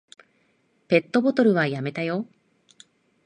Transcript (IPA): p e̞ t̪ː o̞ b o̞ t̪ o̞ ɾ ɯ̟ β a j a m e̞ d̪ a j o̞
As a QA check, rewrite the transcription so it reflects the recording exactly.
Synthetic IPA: p e̞ t̪ː o̞ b o̞ t̪ o̞ ɾ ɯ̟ β a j a m e̞ t̪ a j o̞